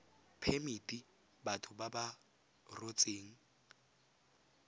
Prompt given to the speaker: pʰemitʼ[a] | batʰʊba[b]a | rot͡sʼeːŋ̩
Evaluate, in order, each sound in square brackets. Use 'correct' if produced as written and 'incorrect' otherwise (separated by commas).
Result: incorrect, correct